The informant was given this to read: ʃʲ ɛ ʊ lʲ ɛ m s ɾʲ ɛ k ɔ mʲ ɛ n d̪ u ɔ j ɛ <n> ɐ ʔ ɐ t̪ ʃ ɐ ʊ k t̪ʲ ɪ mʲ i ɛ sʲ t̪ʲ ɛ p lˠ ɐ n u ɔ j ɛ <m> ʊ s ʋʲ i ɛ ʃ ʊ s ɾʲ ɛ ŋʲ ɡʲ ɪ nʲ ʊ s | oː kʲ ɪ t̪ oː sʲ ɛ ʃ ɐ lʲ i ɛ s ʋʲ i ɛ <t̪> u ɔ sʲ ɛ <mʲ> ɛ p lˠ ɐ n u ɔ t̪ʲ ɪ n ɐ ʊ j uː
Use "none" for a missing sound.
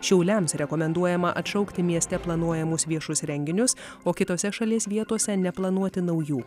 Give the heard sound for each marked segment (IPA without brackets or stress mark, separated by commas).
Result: m, m, t̪, nʲ